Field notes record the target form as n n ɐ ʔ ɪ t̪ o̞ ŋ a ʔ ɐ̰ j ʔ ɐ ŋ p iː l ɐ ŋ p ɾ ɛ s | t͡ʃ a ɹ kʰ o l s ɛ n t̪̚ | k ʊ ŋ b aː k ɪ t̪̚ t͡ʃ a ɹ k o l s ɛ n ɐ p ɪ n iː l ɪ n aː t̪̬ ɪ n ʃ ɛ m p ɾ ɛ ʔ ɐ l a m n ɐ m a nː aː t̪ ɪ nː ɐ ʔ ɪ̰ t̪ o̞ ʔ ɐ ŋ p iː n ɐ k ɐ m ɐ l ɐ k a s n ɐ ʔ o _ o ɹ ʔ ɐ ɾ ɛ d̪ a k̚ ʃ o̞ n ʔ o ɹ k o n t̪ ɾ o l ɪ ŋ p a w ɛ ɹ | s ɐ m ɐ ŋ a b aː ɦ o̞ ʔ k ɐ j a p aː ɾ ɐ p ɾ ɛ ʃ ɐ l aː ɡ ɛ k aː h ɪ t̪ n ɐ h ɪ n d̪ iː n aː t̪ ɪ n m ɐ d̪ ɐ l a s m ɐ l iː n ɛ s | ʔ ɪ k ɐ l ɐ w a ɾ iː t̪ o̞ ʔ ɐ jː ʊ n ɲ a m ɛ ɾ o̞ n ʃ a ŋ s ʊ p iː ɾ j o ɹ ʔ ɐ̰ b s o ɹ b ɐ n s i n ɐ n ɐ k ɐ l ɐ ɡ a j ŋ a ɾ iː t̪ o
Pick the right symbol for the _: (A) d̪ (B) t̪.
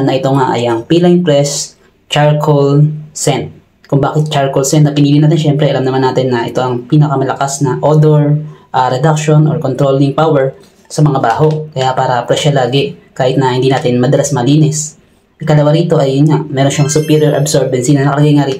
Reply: A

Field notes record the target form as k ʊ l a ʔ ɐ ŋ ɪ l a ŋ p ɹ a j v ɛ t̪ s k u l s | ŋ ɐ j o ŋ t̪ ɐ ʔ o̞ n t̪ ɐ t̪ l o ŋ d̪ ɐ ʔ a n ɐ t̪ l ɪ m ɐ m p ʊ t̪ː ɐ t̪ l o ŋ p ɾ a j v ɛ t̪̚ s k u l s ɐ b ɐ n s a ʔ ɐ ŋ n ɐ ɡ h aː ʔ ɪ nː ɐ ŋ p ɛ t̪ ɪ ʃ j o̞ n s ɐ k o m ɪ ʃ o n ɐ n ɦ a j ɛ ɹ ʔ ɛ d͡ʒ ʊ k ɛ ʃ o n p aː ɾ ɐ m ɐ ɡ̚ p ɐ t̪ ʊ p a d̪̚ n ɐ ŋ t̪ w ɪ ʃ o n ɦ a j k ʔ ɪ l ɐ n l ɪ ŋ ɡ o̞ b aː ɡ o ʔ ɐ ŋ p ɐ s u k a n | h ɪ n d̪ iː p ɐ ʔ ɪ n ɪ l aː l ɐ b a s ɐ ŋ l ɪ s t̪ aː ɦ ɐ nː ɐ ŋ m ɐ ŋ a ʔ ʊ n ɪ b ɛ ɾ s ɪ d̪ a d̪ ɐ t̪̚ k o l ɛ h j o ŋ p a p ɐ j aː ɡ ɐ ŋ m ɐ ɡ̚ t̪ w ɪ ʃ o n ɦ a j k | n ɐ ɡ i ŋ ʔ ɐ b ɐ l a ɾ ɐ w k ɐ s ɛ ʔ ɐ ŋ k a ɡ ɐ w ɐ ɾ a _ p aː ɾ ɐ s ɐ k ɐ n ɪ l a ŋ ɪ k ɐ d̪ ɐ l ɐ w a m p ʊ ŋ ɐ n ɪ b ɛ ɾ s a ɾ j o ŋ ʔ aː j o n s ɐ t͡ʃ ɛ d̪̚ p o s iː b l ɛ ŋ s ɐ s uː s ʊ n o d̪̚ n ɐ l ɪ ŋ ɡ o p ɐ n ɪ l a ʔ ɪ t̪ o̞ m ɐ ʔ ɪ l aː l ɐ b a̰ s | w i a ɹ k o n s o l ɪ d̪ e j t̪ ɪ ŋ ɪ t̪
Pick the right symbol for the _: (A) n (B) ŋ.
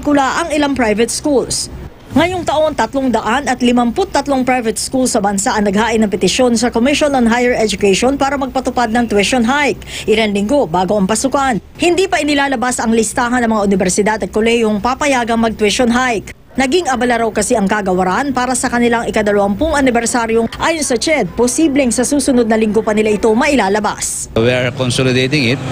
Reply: A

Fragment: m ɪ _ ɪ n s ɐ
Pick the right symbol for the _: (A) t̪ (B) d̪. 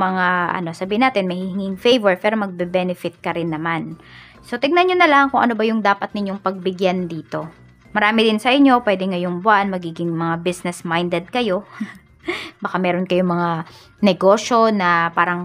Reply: B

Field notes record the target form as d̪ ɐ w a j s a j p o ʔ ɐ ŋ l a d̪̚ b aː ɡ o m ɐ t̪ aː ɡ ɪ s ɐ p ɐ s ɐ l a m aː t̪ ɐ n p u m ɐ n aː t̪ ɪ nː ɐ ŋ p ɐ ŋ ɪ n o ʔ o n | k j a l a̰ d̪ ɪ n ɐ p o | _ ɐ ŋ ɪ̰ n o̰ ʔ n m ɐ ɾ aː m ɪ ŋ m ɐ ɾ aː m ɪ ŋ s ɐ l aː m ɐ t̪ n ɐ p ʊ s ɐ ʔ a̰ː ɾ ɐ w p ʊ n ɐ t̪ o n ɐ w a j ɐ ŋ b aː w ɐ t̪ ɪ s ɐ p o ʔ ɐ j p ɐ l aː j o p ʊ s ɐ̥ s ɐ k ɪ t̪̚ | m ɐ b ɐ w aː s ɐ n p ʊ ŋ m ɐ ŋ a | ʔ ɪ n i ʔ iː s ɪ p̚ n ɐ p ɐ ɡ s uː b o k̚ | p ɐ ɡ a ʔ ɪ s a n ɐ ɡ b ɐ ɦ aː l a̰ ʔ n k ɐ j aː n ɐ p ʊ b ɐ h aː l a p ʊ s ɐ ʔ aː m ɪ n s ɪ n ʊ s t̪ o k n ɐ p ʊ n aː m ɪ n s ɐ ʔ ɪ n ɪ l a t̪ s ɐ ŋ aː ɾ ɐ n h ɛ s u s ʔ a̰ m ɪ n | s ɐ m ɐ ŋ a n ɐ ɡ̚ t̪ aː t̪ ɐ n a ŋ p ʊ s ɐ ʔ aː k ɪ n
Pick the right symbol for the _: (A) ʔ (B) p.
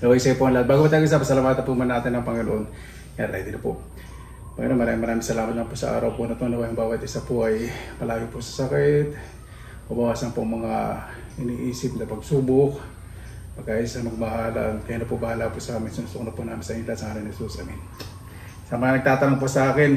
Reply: B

